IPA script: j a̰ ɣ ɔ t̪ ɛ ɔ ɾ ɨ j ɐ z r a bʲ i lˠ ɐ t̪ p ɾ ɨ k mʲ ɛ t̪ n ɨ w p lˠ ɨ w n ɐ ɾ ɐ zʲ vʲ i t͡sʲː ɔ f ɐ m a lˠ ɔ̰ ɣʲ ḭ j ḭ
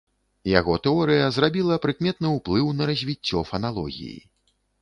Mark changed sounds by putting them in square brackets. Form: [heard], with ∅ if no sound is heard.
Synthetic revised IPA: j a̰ ɣ ɔ t̪ ɛ ɔ ɾ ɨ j ɐ z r a bʲ i lˠ ɐ [∅] p ɾ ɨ k mʲ ɛ t̪ n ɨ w p lˠ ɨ w n ɐ ɾ ɐ zʲ vʲ i t͡sʲː ɔ f ɐ [n] a lˠ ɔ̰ ɣʲ ḭ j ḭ